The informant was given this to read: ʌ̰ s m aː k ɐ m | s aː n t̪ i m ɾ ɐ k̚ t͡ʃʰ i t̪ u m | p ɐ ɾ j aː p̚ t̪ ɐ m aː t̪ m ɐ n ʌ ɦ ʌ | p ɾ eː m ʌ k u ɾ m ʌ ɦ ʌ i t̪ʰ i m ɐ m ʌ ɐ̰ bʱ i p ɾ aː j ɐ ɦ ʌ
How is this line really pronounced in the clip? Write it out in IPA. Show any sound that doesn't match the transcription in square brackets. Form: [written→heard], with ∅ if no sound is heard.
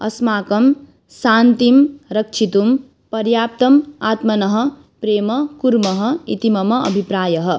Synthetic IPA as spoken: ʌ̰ s m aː k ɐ m | s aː n t̪ i m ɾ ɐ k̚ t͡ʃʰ i t̪ u m | p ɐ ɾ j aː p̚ t̪ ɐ m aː t̪ m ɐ n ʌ ɦ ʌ | p ɾ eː m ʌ k u ɾ m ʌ ɦ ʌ i [t̪ʰ→t̪] i m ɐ m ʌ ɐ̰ bʱ i p ɾ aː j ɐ ɦ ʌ

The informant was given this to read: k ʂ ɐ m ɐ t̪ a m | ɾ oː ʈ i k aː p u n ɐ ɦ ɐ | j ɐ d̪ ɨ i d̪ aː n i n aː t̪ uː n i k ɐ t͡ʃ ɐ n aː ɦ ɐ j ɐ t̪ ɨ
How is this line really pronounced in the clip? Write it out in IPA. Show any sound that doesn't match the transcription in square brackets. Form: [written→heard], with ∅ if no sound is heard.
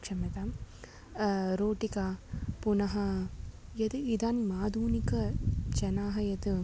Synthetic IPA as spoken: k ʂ ɐ m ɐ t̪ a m | ɾ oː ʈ i k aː p u n ɐ ɦ ɐ | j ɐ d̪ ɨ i d̪ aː n i [n→m] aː [t̪→d̪] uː n i k ɐ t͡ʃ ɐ n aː ɦ ɐ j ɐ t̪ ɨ

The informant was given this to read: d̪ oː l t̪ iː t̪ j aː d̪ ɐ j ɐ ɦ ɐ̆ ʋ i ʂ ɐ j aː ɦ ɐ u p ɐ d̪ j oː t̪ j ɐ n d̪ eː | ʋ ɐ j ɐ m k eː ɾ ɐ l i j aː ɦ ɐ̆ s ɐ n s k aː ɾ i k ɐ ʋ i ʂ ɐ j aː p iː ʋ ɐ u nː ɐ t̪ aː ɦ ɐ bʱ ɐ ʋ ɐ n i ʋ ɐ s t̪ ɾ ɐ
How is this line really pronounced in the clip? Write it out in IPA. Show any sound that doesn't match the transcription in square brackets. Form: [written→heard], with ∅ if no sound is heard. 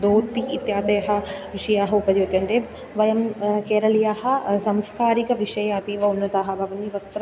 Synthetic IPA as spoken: d̪ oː [l→∅] t̪ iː t̪ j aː [d̪→t̪] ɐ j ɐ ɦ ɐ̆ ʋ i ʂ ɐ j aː ɦ ɐ u p ɐ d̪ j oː t̪ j ɐ n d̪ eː | ʋ ɐ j ɐ m k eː ɾ ɐ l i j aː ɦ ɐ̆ s ɐ [n→m] s k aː ɾ i k ɐ ʋ i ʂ ɐ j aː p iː ʋ ɐ u nː ɐ t̪ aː ɦ ɐ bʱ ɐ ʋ ɐ n i ʋ ɐ s t̪ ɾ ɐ

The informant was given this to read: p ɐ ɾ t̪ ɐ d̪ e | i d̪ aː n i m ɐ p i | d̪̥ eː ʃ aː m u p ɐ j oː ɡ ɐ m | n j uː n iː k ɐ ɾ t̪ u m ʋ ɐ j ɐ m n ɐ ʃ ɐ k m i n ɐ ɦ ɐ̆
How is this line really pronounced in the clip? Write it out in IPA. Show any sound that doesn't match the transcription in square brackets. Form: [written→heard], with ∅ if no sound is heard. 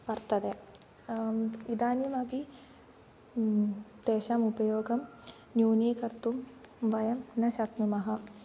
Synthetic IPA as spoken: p ɐ ɾ t̪ ɐ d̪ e | i d̪ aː n i m ɐ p i | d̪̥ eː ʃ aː m u p ɐ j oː ɡ ɐ m | n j uː n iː k ɐ ɾ t̪ u m ʋ ɐ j ɐ m n ɐ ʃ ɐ k m i [n→m] ɐ ɦ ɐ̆

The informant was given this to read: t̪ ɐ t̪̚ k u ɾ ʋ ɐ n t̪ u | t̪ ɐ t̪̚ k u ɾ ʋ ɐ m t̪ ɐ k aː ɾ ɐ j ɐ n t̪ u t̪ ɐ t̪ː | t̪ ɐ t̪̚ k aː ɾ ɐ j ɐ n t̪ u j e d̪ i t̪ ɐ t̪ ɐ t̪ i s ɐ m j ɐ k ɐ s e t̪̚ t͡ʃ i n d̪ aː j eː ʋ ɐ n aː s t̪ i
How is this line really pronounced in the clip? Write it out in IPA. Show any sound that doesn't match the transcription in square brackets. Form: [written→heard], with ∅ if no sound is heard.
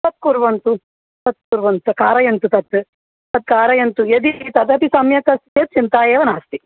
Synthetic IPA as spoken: t̪ ɐ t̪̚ k u ɾ ʋ ɐ n t̪ u | t̪ ɐ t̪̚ k u ɾ ʋ ɐ [m→n] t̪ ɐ k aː ɾ ɐ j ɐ n t̪ u t̪ ɐ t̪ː | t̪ ɐ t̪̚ k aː ɾ ɐ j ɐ n t̪ u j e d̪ i t̪ ɐ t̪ ɐ t̪ i s ɐ m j ɐ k ɐ s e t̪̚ t͡ʃ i n [d̪→t̪] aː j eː ʋ ɐ n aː s t̪ i

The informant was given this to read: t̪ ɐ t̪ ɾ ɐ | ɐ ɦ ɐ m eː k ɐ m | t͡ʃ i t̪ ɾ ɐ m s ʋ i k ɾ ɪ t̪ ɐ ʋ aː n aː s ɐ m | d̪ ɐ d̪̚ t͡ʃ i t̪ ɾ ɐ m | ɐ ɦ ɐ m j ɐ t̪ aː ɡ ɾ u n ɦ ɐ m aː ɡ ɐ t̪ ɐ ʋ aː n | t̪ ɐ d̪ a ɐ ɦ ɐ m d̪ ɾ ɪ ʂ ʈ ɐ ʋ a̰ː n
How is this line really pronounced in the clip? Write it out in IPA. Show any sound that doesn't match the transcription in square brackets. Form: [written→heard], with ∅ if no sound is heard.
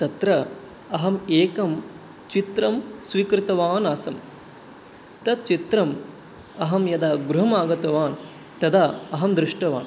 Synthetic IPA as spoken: t̪ ɐ t̪ ɾ ɐ | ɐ ɦ ɐ m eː k ɐ m | t͡ʃ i t̪ ɾ ɐ m s ʋ i k ɾ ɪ t̪ ɐ ʋ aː n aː s ɐ m | [d̪→t̪] ɐ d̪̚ t͡ʃ i t̪ ɾ ɐ m | ɐ ɦ ɐ m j ɐ [t̪→d̪] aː ɡ ɾ u [n→∅] ɦ ɐ m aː ɡ ɐ t̪ ɐ ʋ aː n | t̪ ɐ d̪ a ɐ ɦ ɐ m d̪ ɾ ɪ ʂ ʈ ɐ ʋ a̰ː n

